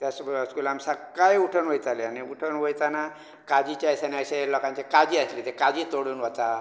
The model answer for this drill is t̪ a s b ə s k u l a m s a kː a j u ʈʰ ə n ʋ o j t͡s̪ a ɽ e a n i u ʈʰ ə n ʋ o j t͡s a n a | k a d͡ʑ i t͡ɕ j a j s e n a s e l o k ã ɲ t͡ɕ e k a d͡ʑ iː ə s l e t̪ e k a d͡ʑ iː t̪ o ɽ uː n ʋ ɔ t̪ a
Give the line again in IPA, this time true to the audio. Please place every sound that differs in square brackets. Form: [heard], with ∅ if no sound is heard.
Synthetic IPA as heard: t̪ a s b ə s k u l a m s a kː a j u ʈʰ ə n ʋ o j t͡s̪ a [l] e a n i u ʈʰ ə n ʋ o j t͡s a n a | k a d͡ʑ i t͡ɕ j a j s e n a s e l [ɔ] k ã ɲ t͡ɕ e k a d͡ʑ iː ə s l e t̪ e k a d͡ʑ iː t̪ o ɽ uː n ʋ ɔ t̪ a